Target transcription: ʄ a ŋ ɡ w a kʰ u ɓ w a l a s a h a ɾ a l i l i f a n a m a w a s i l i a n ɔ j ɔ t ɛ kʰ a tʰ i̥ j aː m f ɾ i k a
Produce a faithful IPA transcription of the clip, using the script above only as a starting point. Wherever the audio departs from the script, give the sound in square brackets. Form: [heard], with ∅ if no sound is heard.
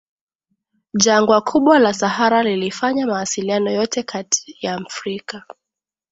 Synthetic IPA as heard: ʄ a ŋ ɡ w a kʰ u ɓ w a l a s a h a ɾ a l i l i f a [ɲ] a m a w a s i l i a n ɔ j ɔ t ɛ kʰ a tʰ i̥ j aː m f ɾ i k a